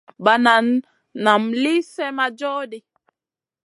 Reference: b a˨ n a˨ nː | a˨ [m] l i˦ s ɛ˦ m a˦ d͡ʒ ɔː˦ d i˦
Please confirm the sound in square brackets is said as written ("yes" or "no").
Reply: yes